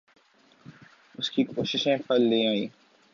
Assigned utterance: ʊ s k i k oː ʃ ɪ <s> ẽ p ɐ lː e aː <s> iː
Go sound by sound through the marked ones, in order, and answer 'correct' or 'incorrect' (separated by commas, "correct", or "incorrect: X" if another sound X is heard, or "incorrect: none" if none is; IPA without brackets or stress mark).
incorrect: ʃ, incorrect: none